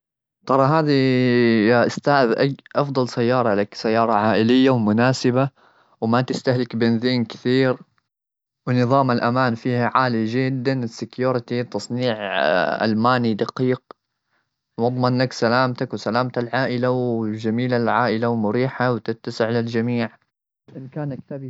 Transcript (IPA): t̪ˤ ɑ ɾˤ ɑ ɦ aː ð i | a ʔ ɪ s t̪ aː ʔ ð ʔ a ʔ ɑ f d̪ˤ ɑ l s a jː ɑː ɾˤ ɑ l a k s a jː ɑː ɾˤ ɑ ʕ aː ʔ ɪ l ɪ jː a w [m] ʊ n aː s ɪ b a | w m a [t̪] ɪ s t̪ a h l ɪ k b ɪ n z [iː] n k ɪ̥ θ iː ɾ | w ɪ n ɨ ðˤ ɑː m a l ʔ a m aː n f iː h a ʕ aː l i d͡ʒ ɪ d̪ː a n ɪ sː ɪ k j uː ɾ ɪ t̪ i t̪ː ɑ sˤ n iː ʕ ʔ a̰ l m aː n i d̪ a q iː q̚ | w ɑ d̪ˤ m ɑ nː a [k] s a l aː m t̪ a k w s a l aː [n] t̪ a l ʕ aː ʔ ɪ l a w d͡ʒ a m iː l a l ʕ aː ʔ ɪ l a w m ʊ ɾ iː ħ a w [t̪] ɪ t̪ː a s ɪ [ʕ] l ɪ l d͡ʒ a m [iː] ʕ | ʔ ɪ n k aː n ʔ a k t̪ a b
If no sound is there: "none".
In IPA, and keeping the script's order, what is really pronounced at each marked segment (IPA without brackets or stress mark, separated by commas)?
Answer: m, t̪, iː, k, m, t̪, ʕ, iː